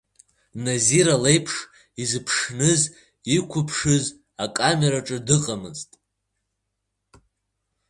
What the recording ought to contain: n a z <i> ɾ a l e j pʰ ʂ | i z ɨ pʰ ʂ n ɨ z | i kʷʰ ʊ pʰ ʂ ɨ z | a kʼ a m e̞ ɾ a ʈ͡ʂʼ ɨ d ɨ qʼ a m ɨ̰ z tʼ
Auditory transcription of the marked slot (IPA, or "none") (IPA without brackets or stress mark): i